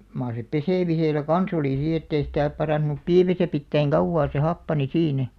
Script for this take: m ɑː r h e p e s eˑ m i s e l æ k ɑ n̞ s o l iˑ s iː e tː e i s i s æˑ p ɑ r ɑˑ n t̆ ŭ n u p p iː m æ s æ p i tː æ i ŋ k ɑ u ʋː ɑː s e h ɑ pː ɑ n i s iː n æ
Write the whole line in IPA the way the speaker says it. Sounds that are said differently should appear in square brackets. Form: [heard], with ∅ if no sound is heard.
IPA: m ɑː r [s] e p e s eˑ m i s e l æ k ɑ n̞ s o l iˑ s iː e tː e i s i [t] æˑ p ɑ r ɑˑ n t̆ ŭ n u p p iː m æ s æ p i tː æ i ŋ k ɑ u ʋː ɑː s e h ɑ pː ɑ n i s iː n æ